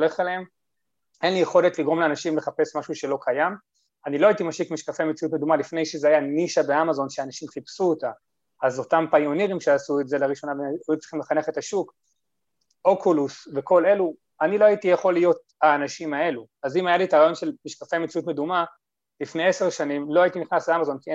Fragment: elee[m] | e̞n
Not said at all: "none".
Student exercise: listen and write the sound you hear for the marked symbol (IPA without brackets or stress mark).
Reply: m